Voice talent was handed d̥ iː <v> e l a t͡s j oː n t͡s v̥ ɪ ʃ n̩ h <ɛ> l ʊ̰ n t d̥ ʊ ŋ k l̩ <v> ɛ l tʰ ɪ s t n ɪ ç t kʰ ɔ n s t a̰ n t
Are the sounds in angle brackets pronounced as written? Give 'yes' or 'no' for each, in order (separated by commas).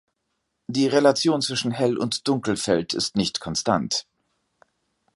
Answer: no, yes, no